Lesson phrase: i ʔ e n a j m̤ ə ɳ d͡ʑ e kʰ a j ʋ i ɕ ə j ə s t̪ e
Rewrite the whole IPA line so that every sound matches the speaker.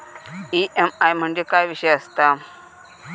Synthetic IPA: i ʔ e m a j m̤ ə ɳ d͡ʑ e k a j ʋ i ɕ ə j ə s t̪ a